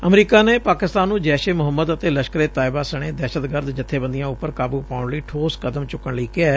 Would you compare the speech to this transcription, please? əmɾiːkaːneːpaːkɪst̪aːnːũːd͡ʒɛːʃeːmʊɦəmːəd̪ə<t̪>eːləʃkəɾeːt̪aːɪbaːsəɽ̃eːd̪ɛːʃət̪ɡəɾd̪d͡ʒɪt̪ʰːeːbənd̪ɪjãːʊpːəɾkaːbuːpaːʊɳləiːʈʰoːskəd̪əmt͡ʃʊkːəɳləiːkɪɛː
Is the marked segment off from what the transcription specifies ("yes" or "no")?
no